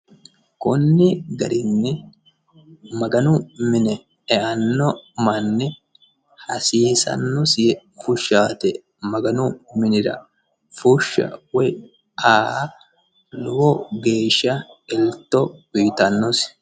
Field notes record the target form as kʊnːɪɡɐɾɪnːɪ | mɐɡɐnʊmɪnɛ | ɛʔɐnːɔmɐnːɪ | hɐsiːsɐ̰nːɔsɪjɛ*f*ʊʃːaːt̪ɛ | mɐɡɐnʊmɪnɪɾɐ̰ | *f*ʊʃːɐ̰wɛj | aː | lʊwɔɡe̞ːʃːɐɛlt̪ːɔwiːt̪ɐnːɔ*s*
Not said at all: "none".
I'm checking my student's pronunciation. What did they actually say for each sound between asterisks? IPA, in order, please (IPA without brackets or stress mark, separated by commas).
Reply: f, f, s